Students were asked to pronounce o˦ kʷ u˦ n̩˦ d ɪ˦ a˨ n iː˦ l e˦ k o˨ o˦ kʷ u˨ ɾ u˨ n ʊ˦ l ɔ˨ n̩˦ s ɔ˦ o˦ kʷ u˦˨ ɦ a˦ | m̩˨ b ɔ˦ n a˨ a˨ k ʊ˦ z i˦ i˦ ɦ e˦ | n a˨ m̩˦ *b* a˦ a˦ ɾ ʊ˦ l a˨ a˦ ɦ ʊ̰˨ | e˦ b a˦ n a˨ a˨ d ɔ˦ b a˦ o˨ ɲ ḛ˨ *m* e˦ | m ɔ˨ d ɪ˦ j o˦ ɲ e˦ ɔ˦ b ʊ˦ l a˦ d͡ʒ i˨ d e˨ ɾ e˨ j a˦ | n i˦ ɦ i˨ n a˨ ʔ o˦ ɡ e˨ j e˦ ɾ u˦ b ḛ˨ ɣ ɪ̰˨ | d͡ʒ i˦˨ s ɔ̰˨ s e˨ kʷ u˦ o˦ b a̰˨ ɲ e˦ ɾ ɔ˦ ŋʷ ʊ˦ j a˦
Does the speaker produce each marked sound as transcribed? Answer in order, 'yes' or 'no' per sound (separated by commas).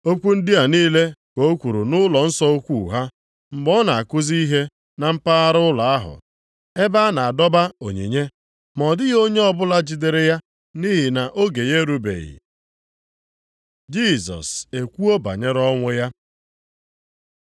no, no